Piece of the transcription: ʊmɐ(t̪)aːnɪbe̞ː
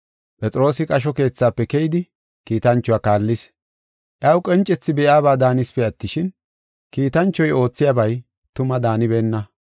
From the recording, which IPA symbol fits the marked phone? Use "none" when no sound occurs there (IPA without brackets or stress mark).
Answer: d̪